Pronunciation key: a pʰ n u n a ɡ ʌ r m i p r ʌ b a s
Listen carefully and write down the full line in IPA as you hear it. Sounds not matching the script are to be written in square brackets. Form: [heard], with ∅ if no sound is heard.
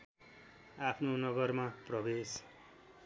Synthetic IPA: a pʰ n [o] n [ʌ] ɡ ʌ r m [a] p r ʌ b [e] s